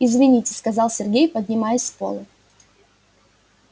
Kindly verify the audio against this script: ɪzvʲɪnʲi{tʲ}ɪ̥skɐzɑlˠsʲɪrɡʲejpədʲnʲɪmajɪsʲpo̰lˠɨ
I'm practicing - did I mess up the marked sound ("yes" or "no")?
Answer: no